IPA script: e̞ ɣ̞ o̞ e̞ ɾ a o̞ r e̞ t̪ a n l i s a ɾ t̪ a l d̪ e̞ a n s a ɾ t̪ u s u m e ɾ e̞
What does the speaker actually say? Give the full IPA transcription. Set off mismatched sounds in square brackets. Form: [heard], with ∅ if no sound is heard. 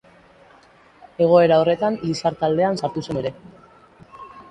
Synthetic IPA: e̞ ɣ̞ o̞ e̞ ɾ a o̞ r e̞ t̪ a n l i s a ɾ t̪ a l d̪ e̞ a n s a ɾ t̪ u s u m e ɾ e̞